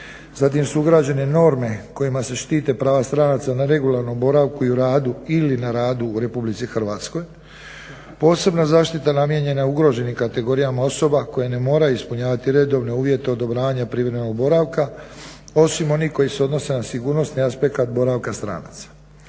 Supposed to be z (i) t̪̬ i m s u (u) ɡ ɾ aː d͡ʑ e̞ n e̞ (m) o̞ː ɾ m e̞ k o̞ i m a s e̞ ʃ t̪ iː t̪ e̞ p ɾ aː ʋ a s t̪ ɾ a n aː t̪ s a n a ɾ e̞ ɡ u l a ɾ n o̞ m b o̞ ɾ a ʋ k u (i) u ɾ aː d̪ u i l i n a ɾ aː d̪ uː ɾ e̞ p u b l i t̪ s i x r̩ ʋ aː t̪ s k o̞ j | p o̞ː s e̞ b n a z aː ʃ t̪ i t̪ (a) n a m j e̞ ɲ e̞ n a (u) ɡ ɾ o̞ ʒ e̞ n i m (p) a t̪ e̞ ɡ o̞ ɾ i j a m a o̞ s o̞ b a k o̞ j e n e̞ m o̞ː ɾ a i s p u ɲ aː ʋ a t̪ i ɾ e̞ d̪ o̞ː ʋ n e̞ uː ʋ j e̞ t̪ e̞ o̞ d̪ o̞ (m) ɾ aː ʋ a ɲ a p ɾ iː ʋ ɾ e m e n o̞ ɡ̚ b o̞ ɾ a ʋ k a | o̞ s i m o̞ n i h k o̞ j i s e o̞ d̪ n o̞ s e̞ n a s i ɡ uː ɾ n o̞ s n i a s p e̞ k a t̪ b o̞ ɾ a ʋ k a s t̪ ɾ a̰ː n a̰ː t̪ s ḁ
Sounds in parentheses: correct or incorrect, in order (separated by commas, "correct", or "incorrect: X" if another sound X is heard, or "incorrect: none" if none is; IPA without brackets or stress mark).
incorrect: a, correct, incorrect: n, correct, correct, correct, incorrect: k, incorrect: b